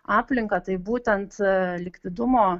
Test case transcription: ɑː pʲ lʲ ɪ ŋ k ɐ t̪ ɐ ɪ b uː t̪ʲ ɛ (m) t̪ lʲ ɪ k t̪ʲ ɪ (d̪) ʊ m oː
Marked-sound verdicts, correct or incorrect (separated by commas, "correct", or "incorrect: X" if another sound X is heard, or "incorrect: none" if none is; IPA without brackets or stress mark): incorrect: n, correct